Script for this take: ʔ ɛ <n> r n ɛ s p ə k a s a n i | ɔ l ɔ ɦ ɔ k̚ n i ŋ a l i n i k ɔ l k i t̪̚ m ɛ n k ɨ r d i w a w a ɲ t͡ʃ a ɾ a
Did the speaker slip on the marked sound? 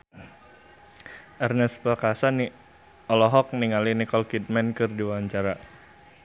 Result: yes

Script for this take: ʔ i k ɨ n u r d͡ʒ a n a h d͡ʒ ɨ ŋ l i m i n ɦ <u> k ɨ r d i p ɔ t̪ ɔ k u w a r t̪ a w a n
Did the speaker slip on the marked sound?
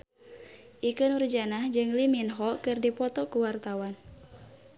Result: yes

